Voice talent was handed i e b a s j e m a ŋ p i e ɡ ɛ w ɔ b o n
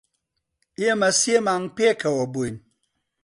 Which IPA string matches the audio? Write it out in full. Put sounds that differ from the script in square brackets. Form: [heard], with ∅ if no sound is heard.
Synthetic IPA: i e [m] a s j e m a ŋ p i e [k] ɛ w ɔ b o n